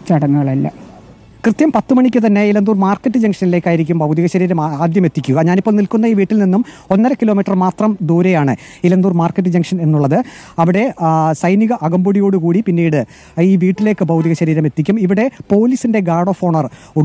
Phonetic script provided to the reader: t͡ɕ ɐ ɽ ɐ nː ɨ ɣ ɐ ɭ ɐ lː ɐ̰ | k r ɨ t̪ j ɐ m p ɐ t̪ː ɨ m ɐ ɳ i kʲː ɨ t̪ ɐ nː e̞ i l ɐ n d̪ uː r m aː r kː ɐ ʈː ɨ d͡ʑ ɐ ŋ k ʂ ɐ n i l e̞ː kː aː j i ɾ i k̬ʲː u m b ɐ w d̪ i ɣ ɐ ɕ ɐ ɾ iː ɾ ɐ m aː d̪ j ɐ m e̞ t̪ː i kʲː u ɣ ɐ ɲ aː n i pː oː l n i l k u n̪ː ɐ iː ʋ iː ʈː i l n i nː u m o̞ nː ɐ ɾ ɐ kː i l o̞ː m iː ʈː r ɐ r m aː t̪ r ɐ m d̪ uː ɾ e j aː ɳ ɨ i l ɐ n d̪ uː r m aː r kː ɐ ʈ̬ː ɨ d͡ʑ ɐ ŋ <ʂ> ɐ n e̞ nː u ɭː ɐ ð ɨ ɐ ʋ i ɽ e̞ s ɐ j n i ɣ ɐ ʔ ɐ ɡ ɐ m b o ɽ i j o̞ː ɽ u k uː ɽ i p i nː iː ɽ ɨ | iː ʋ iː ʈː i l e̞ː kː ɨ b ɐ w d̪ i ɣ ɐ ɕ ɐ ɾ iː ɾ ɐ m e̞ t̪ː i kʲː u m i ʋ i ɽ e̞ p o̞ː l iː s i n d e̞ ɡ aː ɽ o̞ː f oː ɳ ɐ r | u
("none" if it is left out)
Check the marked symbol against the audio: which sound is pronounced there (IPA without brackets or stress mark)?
ʂ